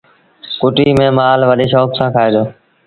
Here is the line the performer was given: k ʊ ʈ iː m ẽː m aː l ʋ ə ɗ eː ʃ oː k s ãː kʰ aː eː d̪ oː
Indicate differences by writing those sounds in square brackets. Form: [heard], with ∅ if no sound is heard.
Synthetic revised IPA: k ʊ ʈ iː m ẽː m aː l ʋ ə ɗ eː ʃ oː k s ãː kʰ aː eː d̪ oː